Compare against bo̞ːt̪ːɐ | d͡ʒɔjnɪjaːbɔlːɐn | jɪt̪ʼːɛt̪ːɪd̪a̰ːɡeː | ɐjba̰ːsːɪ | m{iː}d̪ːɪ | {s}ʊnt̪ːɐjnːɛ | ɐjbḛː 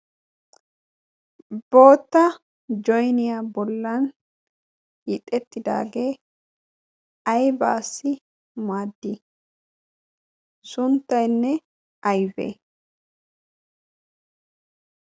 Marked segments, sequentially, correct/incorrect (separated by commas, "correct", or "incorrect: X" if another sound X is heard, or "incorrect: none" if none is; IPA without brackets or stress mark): incorrect: aː, correct